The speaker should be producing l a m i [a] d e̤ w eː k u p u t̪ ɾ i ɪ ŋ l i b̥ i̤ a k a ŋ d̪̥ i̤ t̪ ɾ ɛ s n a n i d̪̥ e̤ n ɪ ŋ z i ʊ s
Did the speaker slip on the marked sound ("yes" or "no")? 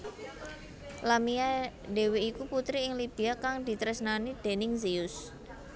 no